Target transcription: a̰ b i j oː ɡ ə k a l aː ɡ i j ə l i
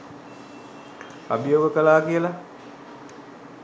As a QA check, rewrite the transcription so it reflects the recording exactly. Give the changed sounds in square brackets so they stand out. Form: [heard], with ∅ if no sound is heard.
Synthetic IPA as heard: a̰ b i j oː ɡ ə k [ə] l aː [k] i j ə l [a]